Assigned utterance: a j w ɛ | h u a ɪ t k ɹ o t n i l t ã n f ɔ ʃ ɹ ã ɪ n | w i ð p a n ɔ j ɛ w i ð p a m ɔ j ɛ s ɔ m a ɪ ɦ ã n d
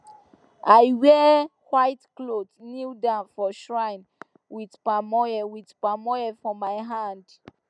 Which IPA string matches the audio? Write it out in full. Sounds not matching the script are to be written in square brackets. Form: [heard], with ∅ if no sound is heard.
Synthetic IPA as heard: a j w ɛ | h [w] a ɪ t k [l] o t n i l [d] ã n f ɔ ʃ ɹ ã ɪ n | w i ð p a [m] ɔ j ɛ w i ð p a m ɔ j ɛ [f] ɔ m a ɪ ɦ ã n d